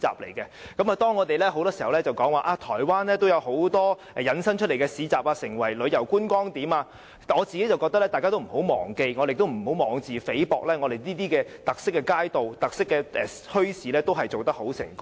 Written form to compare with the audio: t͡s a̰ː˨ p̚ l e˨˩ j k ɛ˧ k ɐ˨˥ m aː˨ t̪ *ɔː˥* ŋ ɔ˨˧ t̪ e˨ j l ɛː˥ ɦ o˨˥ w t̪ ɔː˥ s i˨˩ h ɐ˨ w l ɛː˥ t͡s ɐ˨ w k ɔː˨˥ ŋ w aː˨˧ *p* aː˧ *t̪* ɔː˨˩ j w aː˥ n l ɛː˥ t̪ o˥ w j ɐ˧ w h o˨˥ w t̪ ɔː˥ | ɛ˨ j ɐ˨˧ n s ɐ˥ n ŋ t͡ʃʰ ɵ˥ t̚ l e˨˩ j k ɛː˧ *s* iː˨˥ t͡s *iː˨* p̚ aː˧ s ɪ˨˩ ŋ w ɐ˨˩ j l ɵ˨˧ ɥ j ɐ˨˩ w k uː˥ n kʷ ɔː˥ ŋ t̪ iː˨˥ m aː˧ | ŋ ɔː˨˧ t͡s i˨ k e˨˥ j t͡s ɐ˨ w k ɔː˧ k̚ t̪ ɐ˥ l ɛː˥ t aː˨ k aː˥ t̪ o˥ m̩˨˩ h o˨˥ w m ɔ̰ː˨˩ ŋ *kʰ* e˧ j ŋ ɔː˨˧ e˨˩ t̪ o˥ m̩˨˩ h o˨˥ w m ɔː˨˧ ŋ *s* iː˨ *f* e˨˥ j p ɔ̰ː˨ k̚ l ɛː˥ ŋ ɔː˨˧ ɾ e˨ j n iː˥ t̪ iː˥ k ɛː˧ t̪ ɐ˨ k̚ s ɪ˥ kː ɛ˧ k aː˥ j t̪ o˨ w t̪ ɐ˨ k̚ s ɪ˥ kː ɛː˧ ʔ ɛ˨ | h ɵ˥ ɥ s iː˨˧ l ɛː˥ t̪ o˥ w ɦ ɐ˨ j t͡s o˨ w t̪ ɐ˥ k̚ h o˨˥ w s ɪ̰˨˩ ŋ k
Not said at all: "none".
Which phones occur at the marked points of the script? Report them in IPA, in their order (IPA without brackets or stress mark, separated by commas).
ɔː˥, ʔ, t̪ʰ, s, aː˨, k, t͡s, f